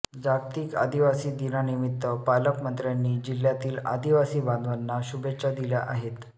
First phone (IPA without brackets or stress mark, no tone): d͡z